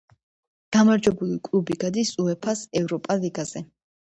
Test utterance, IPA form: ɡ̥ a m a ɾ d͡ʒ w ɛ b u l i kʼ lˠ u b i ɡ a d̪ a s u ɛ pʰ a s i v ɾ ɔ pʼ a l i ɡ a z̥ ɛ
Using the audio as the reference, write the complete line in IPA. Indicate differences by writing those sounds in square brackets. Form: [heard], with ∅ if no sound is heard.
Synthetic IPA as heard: ɡ̥ a m a ɾ d͡ʒ w ɛ b u l i kʼ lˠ u b i ɡ a d̪ [i] s u ɛ pʰ a s [ɛ] v ɾ ɔ pʼ a l i ɡ a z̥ ɛ

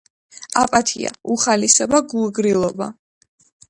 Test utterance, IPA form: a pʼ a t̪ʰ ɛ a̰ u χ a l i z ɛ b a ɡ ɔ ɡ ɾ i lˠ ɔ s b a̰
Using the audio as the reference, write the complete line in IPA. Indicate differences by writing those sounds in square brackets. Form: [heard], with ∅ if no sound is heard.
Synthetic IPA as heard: a pʼ a t̪ʰ [i] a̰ u χ a l i [s] ɛ b a ɡ [u] ɡ ɾ i lˠ ɔ [∅] b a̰

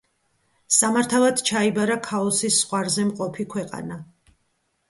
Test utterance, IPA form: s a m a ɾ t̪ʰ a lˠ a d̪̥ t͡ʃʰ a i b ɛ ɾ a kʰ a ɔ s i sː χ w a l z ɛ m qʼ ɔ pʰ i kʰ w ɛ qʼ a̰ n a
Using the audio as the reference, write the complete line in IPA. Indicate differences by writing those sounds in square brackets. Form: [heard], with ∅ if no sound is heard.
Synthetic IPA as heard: s a m a ɾ t̪ʰ a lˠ a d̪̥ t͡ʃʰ a i b [a] ɾ a kʰ a ɔ s i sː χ w a [ɾ] z ɛ m qʼ ɔ pʰ i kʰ w ɛ qʼ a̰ n a

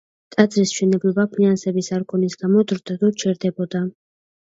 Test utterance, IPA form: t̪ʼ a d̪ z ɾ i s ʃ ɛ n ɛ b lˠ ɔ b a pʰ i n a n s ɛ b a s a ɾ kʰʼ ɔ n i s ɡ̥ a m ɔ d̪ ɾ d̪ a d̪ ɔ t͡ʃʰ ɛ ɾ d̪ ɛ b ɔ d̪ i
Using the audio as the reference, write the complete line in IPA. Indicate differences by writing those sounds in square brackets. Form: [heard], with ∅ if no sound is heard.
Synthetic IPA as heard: t̪ʼ a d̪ z ɾ i s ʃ ɛ n ɛ b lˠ ɔ b a pʰ i n a n s ɛ b [i] s a ɾ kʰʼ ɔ n i s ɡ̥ a m ɔ d̪ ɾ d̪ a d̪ ɔ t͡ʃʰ ɛ ɾ d̪ ɛ b ɔ d̪ [a]

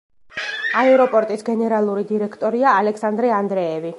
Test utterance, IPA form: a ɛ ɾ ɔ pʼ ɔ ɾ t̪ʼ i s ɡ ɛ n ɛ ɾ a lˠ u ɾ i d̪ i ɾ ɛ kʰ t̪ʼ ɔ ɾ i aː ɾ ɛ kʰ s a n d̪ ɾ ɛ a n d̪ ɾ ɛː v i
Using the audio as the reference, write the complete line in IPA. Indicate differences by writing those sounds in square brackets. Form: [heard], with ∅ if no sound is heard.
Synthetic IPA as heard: a ɛ ɾ ɔ pʼ ɔ ɾ t̪ʼ i s ɡ ɛ n ɛ ɾ a lˠ u ɾ i d̪ i ɾ ɛ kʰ t̪ʼ ɔ ɾ i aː [l] ɛ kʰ s a n d̪ ɾ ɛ a n d̪ ɾ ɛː v i

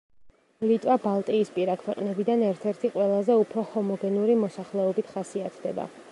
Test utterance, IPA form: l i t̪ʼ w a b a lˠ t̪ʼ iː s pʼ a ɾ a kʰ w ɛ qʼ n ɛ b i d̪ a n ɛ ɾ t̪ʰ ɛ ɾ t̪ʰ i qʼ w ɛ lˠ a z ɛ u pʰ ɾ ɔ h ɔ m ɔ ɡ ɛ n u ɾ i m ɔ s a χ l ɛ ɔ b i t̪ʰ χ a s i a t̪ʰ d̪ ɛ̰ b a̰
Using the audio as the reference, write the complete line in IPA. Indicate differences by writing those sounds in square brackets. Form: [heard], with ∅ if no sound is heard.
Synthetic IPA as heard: l i t̪ʼ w a b a lˠ t̪ʼ iː s pʼ [i] ɾ a kʰ w ɛ qʼ n ɛ b i d̪ a n ɛ ɾ t̪ʰ ɛ ɾ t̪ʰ i qʼ w ɛ lˠ a z ɛ u pʰ ɾ ɔ h ɔ m ɔ ɡ ɛ n u ɾ i m ɔ s a χ l ɛ ɔ b i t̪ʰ χ a s i a t̪ʰ d̪ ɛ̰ b a̰

